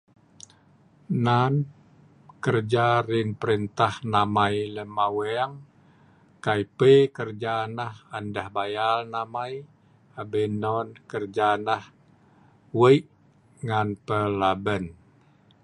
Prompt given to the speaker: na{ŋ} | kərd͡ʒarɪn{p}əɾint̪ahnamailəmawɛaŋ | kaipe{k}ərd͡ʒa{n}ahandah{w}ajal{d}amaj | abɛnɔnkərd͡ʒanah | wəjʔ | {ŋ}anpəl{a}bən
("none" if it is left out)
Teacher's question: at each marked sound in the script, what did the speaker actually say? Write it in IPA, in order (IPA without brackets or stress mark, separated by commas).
n, p, k, n, b, n, ŋ, a